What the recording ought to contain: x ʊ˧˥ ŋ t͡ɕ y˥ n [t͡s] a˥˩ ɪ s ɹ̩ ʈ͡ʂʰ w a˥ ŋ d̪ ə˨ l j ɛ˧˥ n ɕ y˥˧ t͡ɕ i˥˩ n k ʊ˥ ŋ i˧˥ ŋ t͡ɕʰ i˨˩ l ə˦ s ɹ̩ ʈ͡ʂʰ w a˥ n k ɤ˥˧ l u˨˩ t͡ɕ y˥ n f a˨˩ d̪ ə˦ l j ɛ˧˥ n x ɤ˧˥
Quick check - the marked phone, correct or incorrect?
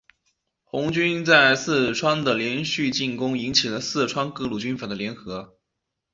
correct